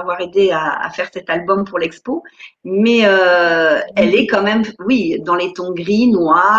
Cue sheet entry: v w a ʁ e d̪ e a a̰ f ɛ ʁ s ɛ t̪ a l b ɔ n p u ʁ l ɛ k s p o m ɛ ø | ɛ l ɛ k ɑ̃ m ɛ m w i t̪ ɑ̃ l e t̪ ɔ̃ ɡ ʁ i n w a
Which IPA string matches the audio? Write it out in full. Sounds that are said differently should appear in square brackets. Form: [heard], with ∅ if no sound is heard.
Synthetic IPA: v w a ʁ e d̪ e a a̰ f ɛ ʁ s ɛ t̪ a l b ɔ [m] p u ʁ l ɛ k s p o m ɛ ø | ɛ l ɛ k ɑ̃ m ɛ m w i [d̪] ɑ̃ l e t̪ ɔ̃ ɡ ʁ i n w a